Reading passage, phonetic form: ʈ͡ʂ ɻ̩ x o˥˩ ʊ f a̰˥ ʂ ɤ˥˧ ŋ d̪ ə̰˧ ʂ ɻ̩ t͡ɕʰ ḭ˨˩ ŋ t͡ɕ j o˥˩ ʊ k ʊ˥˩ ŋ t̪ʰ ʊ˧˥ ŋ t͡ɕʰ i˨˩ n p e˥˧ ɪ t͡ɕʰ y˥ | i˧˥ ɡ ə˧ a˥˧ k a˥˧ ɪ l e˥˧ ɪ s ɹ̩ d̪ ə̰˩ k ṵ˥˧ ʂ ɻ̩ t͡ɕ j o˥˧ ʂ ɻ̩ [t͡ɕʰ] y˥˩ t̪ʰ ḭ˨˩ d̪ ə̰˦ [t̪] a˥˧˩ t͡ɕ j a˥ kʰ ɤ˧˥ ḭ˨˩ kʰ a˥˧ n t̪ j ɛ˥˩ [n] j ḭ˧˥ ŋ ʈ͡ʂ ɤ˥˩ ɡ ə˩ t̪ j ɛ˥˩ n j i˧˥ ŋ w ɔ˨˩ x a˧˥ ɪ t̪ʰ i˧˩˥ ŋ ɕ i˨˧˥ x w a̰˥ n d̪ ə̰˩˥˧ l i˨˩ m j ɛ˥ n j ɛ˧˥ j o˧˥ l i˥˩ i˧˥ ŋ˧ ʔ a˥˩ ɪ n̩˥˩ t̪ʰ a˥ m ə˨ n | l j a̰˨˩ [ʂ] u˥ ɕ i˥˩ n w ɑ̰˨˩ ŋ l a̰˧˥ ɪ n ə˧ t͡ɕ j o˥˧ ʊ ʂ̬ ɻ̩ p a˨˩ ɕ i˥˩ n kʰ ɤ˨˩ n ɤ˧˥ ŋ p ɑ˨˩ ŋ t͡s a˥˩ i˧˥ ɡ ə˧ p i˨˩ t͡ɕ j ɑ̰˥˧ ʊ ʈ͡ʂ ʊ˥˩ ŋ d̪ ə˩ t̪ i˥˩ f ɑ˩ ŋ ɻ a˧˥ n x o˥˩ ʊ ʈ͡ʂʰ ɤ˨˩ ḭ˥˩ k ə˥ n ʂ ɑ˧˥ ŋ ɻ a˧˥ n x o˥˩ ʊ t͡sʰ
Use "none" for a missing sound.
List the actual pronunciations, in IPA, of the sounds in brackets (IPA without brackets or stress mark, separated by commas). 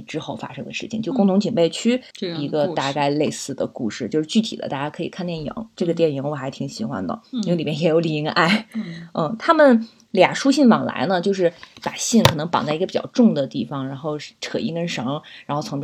t͡ɕ, t̪, n, ʂ